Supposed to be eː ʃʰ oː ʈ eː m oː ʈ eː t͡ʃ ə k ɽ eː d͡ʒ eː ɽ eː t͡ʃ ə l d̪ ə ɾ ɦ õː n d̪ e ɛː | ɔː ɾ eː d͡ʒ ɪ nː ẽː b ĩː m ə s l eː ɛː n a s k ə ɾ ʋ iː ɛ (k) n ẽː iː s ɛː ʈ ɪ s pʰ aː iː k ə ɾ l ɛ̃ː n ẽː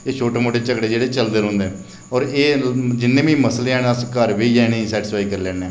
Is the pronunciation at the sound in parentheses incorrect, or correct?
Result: incorrect: none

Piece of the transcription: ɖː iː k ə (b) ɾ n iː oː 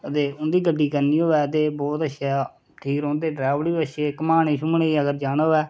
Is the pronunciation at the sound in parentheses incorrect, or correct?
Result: incorrect: none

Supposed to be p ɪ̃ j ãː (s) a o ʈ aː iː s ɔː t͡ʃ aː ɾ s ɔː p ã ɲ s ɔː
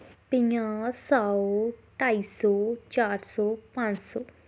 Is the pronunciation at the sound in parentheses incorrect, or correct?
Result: correct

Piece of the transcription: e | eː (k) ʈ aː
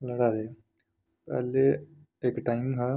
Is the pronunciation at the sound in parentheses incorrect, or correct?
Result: correct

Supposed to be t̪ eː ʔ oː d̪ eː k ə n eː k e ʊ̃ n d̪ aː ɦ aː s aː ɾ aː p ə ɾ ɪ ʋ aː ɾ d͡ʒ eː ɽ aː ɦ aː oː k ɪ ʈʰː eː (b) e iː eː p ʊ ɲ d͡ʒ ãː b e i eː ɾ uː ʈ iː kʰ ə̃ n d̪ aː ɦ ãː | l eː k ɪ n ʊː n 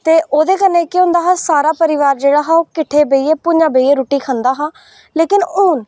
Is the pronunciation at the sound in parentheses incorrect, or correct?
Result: correct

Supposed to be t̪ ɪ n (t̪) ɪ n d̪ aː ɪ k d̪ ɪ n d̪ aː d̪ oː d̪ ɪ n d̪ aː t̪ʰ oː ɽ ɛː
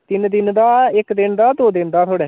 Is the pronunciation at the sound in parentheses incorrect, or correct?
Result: incorrect: d̪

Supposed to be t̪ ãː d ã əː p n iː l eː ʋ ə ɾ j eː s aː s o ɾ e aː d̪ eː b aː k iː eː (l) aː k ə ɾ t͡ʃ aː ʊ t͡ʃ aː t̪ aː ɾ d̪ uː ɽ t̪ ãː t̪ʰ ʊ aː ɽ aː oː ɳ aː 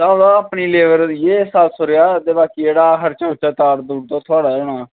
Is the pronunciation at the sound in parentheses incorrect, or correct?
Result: incorrect: ɽ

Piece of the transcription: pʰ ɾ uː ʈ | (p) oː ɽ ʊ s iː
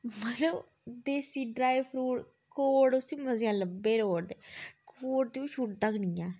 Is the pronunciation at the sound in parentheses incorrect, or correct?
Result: incorrect: k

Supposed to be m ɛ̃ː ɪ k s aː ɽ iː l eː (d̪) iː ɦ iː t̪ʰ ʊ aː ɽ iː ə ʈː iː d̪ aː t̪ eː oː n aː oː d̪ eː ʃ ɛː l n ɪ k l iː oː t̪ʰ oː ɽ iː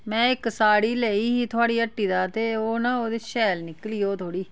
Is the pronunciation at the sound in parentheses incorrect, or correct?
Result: incorrect: none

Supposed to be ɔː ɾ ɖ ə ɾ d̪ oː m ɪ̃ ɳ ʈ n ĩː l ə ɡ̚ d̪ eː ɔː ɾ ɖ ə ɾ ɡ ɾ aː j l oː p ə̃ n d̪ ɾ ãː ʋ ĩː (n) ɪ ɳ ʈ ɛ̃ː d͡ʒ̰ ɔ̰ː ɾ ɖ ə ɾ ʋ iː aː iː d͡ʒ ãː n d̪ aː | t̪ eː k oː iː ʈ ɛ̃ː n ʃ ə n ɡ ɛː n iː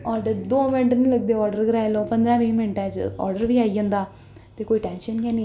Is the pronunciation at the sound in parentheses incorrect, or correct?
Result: incorrect: m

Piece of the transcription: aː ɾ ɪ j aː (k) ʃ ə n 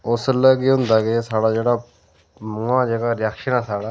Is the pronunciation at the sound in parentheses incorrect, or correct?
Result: correct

